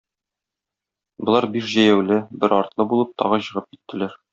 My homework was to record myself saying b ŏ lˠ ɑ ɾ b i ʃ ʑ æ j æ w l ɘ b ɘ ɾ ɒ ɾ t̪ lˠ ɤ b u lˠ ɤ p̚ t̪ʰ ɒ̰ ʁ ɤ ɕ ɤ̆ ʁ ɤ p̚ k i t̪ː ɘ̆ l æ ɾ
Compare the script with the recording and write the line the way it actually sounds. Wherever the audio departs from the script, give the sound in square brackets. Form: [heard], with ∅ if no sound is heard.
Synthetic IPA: b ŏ lˠ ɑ ɾ b i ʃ ʑ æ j æ w l ɘ b ɘ ɾ ɒ ɾ t̪ lˠ ɤ b u lˠ ɤ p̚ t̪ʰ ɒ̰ ʁ ɤ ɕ ɤ̆ ʁ ɤ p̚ k i t̪ː ɘ̆ l æ ɾ